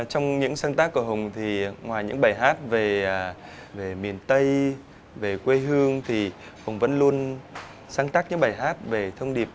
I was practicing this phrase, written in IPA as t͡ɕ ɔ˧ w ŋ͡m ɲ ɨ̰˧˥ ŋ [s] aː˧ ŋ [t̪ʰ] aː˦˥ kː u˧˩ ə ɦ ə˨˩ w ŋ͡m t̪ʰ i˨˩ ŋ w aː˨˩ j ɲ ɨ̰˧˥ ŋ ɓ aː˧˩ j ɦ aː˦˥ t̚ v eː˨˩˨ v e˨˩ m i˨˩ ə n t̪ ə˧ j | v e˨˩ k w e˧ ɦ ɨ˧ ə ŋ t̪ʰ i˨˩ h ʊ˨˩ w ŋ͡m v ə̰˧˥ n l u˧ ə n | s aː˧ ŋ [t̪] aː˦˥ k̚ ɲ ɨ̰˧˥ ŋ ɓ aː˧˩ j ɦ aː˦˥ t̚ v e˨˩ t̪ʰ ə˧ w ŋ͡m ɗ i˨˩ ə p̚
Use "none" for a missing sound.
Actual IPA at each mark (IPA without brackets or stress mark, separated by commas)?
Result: s, t̪, t̪